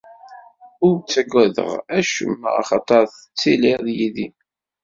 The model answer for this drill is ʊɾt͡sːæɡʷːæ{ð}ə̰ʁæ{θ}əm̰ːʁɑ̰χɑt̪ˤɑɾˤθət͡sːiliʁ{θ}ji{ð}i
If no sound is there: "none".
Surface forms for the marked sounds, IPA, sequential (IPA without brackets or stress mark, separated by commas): ð, ʃ, ð, ð